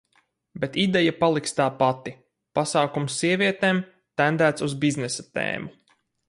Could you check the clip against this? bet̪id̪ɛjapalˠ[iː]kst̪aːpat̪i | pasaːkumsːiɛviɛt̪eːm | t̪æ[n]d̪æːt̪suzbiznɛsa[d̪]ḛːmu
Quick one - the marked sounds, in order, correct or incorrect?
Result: incorrect, correct, incorrect

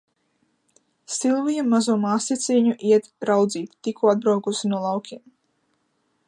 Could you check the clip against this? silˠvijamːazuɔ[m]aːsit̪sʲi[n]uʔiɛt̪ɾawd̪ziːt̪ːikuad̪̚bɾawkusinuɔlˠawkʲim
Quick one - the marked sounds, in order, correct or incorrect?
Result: correct, incorrect

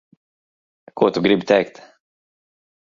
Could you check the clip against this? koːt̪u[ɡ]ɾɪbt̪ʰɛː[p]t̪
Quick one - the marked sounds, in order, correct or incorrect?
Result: correct, incorrect

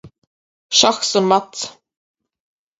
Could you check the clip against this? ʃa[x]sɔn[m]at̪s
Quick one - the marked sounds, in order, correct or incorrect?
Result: correct, correct

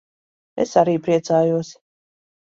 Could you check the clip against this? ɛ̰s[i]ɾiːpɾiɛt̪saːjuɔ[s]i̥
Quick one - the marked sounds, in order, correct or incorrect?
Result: incorrect, correct

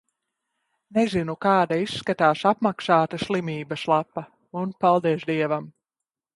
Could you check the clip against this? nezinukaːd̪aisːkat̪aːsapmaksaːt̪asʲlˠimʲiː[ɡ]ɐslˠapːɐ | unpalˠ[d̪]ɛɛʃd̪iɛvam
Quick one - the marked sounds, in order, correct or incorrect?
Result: incorrect, correct

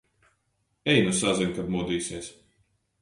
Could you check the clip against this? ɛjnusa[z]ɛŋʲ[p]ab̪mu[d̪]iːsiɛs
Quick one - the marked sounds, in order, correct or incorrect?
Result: correct, incorrect, correct

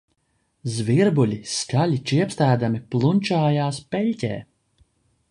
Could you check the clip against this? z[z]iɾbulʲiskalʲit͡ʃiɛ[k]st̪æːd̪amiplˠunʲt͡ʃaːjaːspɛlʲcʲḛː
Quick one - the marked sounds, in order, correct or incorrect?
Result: incorrect, incorrect

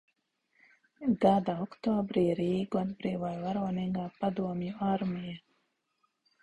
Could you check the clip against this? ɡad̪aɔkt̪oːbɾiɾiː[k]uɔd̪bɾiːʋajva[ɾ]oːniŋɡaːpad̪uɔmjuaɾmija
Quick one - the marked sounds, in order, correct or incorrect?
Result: incorrect, correct

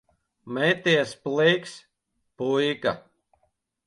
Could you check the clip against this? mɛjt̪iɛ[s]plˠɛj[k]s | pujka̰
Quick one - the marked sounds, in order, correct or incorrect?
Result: correct, correct

